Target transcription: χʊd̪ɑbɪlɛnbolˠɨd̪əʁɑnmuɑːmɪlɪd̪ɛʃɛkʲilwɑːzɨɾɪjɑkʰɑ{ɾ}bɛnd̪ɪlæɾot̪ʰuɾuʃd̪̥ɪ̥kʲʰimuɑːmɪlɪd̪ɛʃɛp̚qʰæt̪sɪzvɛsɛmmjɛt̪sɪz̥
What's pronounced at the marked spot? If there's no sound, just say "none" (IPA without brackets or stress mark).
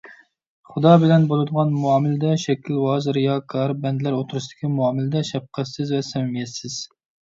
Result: ɾ